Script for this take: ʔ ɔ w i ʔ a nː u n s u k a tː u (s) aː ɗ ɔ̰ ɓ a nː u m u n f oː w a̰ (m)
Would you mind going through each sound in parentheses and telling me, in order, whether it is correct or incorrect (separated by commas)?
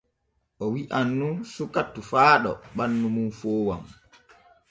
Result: incorrect, correct